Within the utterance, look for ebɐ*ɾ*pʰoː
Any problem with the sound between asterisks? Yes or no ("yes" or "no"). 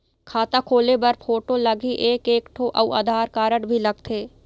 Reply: no